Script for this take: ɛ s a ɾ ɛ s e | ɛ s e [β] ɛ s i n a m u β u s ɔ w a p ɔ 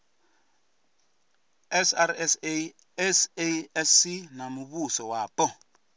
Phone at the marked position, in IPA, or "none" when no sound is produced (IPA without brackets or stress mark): none